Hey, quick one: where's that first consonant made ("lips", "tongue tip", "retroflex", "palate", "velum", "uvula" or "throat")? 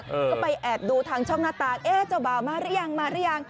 lips